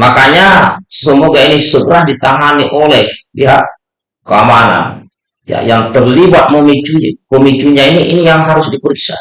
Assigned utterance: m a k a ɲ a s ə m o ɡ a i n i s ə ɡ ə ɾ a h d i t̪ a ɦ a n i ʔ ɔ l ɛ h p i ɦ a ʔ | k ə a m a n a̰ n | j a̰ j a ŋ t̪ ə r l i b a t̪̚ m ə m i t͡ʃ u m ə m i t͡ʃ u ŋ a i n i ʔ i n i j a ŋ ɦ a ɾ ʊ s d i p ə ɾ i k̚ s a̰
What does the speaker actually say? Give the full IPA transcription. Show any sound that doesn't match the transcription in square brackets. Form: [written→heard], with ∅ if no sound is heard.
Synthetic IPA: m a k a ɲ a s ə m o ɡ a i n i s ə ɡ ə ɾ a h d i t̪ a ɦ a n i ʔ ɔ l ɛ h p i ɦ a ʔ | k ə a m a n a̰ n | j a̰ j a ŋ t̪ ə r l i b a t̪̚ m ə m i t͡ʃ u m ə m i t͡ʃ u [ŋ→ɲ] a i n i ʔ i n i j a ŋ ɦ a ɾ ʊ s d i p ə ɾ i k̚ s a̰